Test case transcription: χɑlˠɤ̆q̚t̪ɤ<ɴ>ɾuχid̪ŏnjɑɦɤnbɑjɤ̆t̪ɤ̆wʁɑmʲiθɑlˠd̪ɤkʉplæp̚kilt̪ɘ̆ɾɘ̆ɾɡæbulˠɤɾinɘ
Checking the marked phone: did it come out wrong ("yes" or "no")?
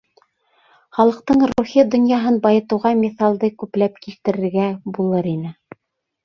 no